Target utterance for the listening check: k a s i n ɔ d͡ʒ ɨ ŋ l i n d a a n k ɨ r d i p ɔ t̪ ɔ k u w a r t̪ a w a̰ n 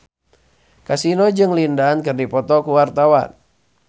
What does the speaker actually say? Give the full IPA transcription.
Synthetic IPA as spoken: k a s i n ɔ d͡ʒ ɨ ŋ l i n d a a n k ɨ r d i p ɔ t̪ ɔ k u w a r t̪ a w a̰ n